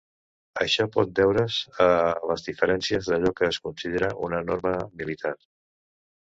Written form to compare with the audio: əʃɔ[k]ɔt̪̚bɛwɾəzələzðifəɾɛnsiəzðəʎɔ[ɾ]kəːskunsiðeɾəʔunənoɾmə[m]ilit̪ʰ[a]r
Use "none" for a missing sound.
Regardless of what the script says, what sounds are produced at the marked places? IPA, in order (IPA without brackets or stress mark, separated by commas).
p, none, m, a